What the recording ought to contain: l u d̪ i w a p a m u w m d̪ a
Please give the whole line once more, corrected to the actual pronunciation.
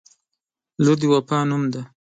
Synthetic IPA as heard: l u d̪ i w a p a n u m d̪ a